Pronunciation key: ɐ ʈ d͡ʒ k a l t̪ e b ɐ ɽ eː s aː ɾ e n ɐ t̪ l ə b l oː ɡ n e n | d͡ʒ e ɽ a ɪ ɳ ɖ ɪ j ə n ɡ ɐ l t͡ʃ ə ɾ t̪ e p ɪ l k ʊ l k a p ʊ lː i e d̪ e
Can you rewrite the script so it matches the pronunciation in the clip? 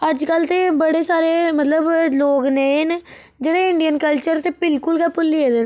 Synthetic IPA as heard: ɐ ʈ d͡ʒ k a l t̪ e b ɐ ɽ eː s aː ɾ e m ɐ t̪ l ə b l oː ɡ n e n | d͡ʒ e ɽ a ɪ ɳ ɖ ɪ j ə n k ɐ l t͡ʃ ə ɾ t̪ e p ɪ l k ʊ l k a p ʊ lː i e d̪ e